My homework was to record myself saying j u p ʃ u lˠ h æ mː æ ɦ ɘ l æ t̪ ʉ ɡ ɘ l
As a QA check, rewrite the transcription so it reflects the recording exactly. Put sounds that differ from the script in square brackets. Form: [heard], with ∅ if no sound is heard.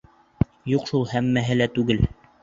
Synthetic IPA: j u [q] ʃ u lˠ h æ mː æ ɦ ɘ l æ t̪ ʉ ɡ ɘ l